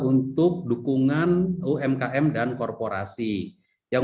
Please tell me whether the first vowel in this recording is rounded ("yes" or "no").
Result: yes